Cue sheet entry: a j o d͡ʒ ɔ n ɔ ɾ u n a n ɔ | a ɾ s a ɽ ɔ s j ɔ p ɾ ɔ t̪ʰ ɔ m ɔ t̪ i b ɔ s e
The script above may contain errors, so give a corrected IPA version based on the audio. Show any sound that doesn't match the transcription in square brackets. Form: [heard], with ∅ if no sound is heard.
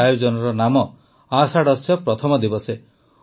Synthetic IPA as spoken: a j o d͡ʒ ɔ n ɔ ɾ [ɔ] n a [m] ɔ | a [∅] s a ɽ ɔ s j ɔ p ɾ ɔ t̪ʰ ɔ m ɔ [d̪] i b ɔ s e